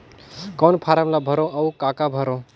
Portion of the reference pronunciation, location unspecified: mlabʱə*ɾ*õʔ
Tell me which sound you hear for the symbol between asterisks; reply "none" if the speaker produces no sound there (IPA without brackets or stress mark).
ɾ